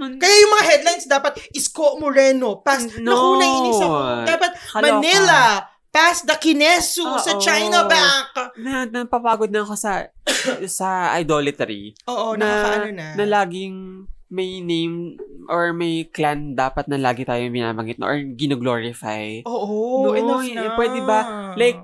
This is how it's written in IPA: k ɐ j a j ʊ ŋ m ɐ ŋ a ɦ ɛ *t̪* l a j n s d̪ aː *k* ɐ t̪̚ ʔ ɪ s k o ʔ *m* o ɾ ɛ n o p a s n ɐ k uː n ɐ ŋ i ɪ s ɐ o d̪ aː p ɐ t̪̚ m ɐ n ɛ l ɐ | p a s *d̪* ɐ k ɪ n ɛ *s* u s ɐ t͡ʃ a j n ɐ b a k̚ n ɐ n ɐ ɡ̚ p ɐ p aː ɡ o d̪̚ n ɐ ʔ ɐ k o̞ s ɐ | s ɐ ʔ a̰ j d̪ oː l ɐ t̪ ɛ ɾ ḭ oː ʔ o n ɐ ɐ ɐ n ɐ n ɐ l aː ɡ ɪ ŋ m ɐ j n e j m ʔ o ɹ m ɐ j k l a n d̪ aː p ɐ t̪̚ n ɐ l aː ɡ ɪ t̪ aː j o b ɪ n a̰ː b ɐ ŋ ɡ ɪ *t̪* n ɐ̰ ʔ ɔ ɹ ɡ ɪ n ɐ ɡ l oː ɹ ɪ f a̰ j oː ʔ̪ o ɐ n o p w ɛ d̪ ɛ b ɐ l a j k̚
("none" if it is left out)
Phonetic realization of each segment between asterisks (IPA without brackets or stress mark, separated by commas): d̪, p, m, d̪, s, t̪